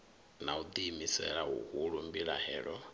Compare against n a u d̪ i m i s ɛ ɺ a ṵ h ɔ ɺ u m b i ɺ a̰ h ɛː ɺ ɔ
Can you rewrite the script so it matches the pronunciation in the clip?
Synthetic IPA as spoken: n a u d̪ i m i s ɛ ɺ a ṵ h u ɺ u m b i ɺ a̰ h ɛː ɺ ɔ